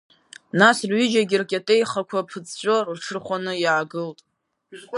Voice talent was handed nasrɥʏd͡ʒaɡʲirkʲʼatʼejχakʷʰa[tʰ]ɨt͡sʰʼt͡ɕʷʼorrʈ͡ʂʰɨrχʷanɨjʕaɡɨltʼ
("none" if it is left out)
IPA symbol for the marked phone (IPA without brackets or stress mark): pʰ